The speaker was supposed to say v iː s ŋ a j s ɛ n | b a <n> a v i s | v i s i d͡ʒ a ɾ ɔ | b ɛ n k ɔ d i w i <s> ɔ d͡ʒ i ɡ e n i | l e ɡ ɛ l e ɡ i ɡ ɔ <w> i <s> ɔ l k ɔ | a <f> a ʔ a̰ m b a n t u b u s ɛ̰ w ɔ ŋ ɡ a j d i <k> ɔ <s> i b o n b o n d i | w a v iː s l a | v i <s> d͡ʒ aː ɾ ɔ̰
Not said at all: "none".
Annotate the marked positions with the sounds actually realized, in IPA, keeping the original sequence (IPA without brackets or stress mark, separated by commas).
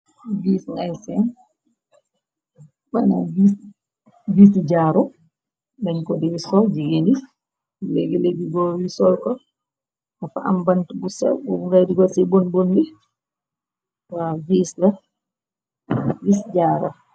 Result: n, s, w, s, f, ɡ, s, s